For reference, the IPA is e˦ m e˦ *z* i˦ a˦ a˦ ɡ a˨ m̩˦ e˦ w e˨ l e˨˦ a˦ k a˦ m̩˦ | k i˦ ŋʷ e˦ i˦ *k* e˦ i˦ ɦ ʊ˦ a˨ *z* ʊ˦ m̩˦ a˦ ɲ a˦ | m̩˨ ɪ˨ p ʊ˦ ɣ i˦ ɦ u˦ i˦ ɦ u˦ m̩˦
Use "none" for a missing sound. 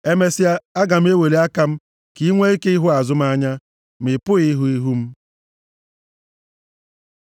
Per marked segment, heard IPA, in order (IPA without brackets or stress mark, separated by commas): s, k, z